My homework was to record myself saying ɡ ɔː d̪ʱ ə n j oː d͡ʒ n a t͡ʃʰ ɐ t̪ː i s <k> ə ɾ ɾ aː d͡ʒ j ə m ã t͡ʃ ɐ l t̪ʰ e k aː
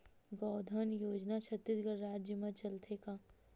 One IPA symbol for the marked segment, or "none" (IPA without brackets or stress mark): ɡ